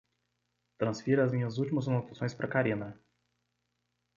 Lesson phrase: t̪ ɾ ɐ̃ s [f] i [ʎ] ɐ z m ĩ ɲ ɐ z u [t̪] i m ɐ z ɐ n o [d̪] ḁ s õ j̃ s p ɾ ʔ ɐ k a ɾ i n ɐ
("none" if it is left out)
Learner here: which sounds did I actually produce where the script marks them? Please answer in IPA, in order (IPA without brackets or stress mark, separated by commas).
f, ɾ, t̪, t̪